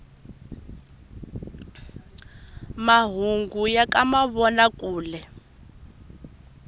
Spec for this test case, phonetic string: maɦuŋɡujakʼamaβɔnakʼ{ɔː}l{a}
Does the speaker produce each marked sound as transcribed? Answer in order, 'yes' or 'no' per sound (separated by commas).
no, no